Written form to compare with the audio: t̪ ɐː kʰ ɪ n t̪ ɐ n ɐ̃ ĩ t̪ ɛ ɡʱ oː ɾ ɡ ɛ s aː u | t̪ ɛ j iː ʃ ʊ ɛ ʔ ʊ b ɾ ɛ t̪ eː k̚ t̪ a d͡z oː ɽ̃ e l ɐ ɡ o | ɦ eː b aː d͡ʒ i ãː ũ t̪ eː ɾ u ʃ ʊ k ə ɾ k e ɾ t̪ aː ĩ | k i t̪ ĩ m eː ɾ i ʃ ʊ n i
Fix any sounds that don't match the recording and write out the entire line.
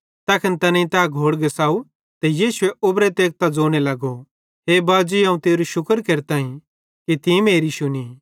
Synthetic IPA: t̪ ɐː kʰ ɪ n t̪ ɐ n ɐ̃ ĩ t̪ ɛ ɡʱ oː ɽ ɡ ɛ s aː u | t̪ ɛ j iː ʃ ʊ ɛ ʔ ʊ b ɾ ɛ t̪ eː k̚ t̪ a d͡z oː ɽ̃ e l ɐ ɡ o | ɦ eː b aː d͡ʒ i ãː ũ t̪ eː ɾ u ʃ ʊ k ə ɾ k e ɾ t̪ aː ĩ | k i t̪ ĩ m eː ɾ i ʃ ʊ n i